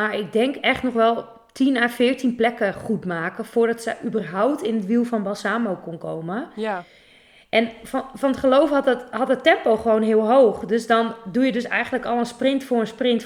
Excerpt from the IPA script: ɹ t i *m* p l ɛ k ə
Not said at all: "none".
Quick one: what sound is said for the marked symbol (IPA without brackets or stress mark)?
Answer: n